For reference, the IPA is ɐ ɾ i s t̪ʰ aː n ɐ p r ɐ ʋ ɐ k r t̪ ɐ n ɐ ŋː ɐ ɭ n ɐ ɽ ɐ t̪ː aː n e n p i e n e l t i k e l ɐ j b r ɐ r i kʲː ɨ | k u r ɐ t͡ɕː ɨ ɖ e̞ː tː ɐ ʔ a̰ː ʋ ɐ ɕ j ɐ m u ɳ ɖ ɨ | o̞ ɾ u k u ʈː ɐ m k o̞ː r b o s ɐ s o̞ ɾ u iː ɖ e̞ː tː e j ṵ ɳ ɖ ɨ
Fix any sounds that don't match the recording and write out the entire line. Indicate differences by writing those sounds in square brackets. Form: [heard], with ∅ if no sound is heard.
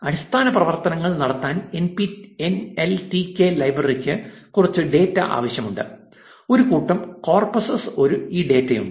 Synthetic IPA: ɐ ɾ i s t̪ʰ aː n ɐ p r ɐ ʋ ɐ [∅] r t̪ ɐ n ɐ ŋː ɐ ɭ n ɐ ɽ ɐ t̪ː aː n e n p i e n e l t i k e l ɐ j b r ɐ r i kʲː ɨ | k u r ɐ t͡ɕː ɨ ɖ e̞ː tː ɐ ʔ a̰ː ʋ ɐ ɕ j ɐ m u ɳ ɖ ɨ | o̞ ɾ u k [uː] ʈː ɐ m k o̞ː r [p] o s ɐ s o̞ ɾ u iː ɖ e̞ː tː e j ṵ ɳ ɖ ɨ